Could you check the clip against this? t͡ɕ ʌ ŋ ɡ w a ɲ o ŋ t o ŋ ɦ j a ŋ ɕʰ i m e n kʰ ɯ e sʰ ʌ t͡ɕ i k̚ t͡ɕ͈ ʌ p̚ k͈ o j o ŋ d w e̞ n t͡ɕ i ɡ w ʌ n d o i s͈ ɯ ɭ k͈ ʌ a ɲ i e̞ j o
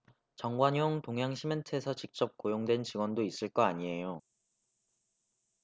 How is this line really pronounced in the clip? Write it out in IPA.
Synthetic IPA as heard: t͡ɕ ʌ ŋ ɡ w a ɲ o ŋ t o ŋ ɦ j a ŋ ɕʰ i m e n tʰ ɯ e sʰ ʌ t͡ɕ i k̚ t͡ɕ͈ ʌ p̚ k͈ o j o ŋ d w e̞ n t͡ɕ i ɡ w ʌ n d o i s͈ ɯ ɭ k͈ ʌ a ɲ i e̞ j o

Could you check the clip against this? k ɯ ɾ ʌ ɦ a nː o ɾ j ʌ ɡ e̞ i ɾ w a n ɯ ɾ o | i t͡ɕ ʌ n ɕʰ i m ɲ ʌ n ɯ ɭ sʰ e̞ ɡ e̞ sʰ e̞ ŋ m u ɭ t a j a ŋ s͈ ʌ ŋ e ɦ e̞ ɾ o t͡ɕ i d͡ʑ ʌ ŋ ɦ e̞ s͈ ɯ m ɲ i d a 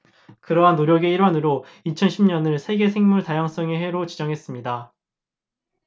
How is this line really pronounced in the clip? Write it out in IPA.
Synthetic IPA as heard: k ɯ ɾ ʌ ɦ a nː o ɾ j ʌ ɡ e̞ i ɾ w a n ɯ ɾ o | i t͡ɕʰ ʌ n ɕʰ i m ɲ ʌ n ɯ ɭ sʰ e̞ ɡ e̞ sʰ e̞ ŋ m u ɭ t a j a ŋ s͈ ʌ ŋ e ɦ e̞ ɾ o t͡ɕ i d͡ʑ ʌ ŋ ɦ e̞ s͈ ɯ m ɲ i d a

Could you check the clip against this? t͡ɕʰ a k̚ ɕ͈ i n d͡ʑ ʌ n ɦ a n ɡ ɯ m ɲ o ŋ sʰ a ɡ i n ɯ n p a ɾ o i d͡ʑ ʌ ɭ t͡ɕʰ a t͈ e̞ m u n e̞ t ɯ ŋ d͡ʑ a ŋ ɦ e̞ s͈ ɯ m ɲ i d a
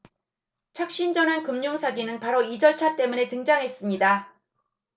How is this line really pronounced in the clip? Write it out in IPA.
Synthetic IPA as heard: t͡ɕʰ a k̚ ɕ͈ i n d͡ʑ ʌ n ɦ a n k ɯ m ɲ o ŋ sʰ a ɡ i n ɯ n p a ɾ o i d͡ʑ ʌ ɭ t͡ɕʰ a t͈ e̞ m u n e̞ t ɯ ŋ d͡ʑ a ŋ ɦ e̞ s͈ ɯ m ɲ i d a

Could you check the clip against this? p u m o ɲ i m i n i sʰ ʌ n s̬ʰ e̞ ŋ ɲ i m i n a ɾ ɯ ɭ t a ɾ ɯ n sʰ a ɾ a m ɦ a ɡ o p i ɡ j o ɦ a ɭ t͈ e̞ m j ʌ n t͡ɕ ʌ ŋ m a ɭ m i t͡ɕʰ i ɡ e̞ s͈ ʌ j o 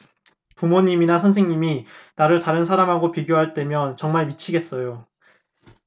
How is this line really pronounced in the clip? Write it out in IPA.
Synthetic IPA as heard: p u m o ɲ i m i n a sʰ ʌ n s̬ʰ e̞ ŋ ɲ i m i n a ɾ ɯ ɭ t a ɾ ɯ n sʰ a ɾ a m ɦ a ɡ o p i ɡ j o ɦ a ɭ t͈ e̞ m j ʌ n t͡ɕ ʌ ŋ m a ɭ m i t͡ɕʰ i ɡ e̞ s͈ ʌ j o

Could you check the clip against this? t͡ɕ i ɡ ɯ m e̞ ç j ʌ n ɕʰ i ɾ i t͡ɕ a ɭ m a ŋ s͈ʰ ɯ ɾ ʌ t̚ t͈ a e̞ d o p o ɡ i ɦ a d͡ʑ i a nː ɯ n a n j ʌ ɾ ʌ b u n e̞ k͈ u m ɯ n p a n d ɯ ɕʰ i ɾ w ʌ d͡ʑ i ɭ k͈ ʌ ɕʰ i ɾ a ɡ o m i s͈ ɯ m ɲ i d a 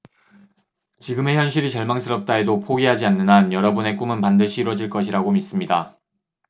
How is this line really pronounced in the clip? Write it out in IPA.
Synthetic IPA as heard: t͡ɕ i ɡ ɯ m e̞ ç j ʌ n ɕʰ i ɾ i t͡ɕ ʌ ɭ m a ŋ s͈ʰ ɯ ɾ ʌ p̚ t͈ a e̞ d o pʰ o ɡ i ɦ a d͡ʑ i a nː ɯ n a n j ʌ ɾ ʌ b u n e̞ k͈ u m ɯ n p a n d ɯ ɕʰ iː ɾ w ʌ d͡ʑ i ɭ k͈ ʌ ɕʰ i ɾ a ɡ o m i s͈ ɯ m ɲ i d a

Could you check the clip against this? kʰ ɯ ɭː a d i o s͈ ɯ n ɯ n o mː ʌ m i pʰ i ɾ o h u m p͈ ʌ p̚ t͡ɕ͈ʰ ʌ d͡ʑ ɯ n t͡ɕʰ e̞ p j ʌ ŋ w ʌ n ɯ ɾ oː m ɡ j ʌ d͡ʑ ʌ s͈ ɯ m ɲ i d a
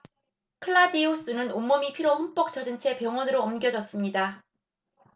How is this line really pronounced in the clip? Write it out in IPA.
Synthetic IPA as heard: kʰ ɯ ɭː a d i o s͈ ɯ n ɯ n o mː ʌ m i pʰ i ɾ o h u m p͈ ʌ k̚ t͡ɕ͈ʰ ʌ d͡ʑ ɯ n t͡ɕʰ e̞ p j ʌ ŋ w ʌ n ɯ ɾ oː m ɡ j ʌ d͡ʑ ʌ s͈ ɯ m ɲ i d a

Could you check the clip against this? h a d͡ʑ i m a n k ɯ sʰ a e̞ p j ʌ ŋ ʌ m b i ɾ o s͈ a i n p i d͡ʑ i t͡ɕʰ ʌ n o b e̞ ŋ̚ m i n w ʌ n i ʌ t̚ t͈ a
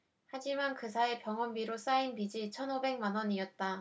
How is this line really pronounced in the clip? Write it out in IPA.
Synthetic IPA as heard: h a d͡ʑ i m a n k ɯ sʰ a e̞ p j ʌ ŋ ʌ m b i ɾ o s͈ a i n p i d͡ʑ i t͡ɕʰ ʌ n o b e̞ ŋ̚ m a n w ʌ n i ʌ t̚ t͈ a

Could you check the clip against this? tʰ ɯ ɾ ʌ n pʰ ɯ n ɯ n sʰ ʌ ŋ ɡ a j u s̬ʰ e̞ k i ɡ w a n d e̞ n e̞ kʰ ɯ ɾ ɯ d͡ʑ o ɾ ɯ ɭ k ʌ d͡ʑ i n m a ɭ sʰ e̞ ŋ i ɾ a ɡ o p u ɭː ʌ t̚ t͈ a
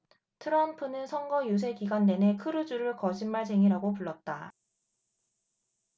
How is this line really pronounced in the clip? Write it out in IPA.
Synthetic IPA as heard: tʰ ɯ ɾ ʌ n pʰ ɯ n ɯ n sʰ ʌ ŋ ɡ ʌ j u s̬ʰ e̞ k i ɡ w a n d e̞ n e̞ kʰ ɯ ɾ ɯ d͡ʑ u ɾ ɯ ɭ k ʌ d͡ʑ i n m a ɭ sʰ e̞ ŋ i ɾ a ɡ o p u ɭː ʌ t̚ t͈ a

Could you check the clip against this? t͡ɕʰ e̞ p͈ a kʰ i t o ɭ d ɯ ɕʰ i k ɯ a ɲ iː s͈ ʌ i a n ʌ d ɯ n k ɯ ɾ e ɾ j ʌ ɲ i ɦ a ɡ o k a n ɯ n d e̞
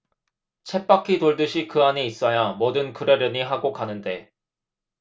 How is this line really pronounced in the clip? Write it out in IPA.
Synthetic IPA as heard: t͡ɕʰ e̞ p͈ a kʰ i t o ɭ d ɯ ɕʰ i k ɯ a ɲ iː s͈ ʌ j a m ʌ d ɯ n k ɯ ɾ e ɾ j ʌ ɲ i ɦ a ɡ o k a n ɯ n d e̞

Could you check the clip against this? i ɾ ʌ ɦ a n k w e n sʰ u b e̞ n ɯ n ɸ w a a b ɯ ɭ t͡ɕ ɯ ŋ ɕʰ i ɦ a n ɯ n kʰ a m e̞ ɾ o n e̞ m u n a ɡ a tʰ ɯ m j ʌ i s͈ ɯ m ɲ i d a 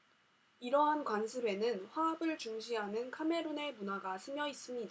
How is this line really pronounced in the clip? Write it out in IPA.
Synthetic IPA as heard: i ɾ ʌ ɦ a n k w a n sʰ ɯ b e̞ n ɯ n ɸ w a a b ɯ ɭ t͡ɕ u ŋ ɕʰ i ɦ a n ɯ n kʰ a m e̞ ɾ o n e̞ m u n a ɡ a sʰ ɯ m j ʌ i s͈ ɯ m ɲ i d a

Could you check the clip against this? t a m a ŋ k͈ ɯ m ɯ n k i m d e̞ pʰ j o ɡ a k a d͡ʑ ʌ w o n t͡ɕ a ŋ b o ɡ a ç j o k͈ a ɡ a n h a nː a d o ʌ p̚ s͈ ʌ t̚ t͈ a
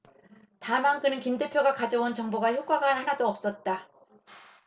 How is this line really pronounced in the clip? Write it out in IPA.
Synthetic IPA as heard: t a m a ŋ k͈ ɯ n ɯ n k i m d e̞ pʰ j o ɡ a k a d͡ʑ ʌ w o n t͡ɕ ʌ ŋ b o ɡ a ç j o k͈ a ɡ a n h a n a d o ʌ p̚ s͈ ʌ t̚ t͈ a

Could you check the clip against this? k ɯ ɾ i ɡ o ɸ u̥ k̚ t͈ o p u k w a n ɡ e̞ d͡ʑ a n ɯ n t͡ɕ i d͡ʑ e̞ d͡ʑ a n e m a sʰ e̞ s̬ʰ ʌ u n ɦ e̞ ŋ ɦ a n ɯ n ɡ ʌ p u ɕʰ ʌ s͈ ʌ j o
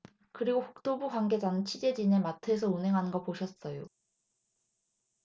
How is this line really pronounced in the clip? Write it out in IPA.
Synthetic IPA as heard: k ɯ ɾ i ɡ o ɸ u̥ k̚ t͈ o b u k w a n ɡ e̞ d͡ʑ a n ɯ n t͡ɕʰ i d͡ʑ e̞ d͡ʑ i n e m a tʰ e̞ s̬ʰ ʌ u n ɦ e̞ ŋ ɦ a n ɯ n ɡ ʌ p o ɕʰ ʌ s͈ ʌ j o

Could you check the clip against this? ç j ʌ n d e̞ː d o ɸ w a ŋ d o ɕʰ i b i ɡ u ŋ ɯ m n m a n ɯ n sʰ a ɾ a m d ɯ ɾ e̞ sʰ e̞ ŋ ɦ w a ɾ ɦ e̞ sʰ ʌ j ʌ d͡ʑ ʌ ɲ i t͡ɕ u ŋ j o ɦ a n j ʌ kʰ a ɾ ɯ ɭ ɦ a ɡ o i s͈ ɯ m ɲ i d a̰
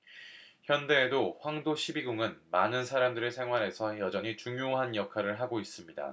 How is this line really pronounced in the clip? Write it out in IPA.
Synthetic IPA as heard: ç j ʌ n d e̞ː d o ɸ w a ŋ d o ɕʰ i b i ɡ u ŋ ɯ n m a n ɯ n sʰ a ɾ a m d ɯ ɾ e̞ sʰ e̞ ŋ ɦ w a ɾ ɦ e̞ sʰ ʌ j ʌ d͡ʑ ʌ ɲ i t͡ɕ u ŋ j o ɦ a n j ʌ kʰ a ɾ ɯ ɭ ɦ a ɡ o i s͈ ɯ m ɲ i d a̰

